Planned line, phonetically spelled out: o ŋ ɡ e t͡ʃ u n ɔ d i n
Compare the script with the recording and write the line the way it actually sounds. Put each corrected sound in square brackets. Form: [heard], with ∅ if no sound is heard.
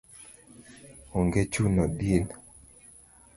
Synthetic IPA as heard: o ŋ ɡ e t͡ʃ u n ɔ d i n